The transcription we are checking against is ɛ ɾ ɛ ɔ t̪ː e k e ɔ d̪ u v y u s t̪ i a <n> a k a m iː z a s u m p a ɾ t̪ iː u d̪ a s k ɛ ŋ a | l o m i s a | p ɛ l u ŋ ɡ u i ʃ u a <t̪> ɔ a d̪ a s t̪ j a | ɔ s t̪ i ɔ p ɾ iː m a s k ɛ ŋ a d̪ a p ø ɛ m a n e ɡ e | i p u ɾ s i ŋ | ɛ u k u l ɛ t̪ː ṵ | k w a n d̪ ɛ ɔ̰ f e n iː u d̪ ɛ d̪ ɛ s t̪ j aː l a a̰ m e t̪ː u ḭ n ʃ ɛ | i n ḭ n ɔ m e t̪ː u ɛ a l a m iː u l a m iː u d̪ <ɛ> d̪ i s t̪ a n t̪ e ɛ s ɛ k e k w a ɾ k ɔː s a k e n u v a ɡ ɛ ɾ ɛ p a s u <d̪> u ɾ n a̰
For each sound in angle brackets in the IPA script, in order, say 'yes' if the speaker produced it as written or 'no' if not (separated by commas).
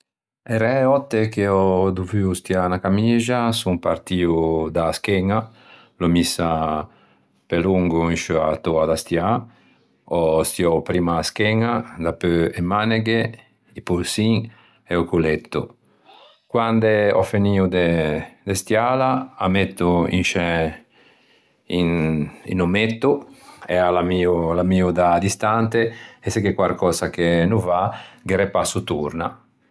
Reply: yes, yes, no, no